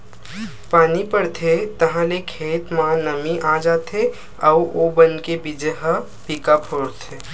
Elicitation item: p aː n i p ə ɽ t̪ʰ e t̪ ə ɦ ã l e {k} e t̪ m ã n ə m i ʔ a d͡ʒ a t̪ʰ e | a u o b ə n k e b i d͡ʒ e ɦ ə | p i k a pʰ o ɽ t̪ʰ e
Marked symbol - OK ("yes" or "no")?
no